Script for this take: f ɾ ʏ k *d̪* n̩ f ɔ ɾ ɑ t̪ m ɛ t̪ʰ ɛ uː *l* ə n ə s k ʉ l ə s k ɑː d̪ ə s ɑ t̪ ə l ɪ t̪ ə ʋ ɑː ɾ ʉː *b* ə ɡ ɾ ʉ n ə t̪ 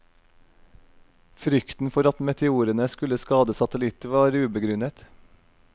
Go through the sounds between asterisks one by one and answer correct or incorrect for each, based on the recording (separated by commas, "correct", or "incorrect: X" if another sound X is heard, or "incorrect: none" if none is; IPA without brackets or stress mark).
incorrect: t̪, incorrect: ɾ, correct